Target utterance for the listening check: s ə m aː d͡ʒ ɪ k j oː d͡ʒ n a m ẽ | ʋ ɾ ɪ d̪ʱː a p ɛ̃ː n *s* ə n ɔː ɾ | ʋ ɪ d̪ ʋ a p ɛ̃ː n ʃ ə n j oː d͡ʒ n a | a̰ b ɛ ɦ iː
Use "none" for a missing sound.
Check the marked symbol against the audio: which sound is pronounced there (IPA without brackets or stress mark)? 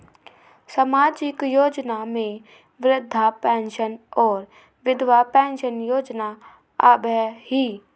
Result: ʃ